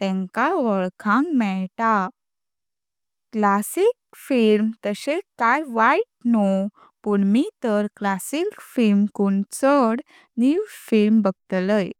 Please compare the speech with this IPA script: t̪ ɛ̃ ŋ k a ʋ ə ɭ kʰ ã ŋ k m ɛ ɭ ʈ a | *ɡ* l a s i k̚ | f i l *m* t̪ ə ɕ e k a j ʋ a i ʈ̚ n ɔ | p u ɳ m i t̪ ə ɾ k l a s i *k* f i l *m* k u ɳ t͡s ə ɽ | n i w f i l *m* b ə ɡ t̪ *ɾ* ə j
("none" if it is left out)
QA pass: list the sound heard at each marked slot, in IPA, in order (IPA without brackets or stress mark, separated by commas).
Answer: k, m, k, m, m, l